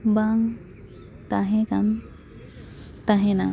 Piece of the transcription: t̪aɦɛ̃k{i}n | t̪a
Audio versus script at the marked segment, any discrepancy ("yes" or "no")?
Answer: yes